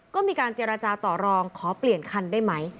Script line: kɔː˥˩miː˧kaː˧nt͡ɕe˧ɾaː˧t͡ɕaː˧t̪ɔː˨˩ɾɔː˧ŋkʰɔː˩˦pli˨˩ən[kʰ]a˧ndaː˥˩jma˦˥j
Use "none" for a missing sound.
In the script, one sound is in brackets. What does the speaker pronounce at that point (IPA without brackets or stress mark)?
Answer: kʰ